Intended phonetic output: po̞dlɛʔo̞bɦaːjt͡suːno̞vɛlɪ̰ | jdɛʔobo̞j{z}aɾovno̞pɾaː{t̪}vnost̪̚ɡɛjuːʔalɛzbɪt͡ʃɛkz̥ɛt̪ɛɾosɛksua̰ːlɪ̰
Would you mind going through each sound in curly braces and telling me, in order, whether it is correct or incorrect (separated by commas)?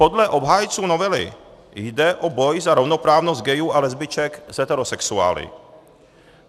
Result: correct, incorrect